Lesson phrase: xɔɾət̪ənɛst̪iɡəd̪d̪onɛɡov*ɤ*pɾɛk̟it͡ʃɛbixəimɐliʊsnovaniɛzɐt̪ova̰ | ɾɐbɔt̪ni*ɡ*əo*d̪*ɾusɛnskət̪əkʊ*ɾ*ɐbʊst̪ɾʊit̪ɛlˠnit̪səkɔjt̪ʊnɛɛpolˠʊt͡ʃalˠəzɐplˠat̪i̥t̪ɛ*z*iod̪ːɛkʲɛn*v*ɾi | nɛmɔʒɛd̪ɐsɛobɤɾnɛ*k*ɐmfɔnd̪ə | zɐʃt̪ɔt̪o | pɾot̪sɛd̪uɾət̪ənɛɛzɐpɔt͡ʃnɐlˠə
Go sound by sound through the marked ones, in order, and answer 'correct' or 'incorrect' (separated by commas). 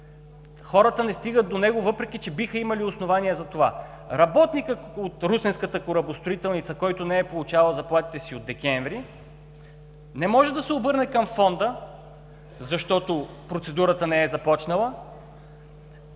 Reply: correct, incorrect, incorrect, correct, incorrect, correct, correct